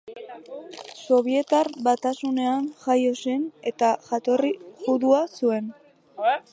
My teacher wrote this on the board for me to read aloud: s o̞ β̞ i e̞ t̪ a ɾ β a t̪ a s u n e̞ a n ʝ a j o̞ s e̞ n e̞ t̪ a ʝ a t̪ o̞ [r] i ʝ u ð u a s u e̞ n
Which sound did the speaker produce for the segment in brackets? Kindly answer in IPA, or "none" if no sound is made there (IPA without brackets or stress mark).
r